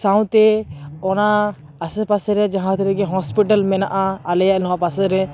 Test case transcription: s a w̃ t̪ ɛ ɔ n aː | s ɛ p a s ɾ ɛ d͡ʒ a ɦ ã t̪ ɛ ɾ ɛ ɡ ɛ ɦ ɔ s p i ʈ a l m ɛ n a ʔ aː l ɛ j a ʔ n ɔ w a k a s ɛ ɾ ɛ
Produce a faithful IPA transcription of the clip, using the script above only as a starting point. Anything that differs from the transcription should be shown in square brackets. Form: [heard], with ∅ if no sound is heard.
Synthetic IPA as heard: s a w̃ t̪ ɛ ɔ n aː | s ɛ p a s ɾ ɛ d͡ʒ a ɦ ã t̪ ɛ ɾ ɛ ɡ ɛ ɦ ɔ s p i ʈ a l m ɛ n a ʔ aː l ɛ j a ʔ n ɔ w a [p] a s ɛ ɾ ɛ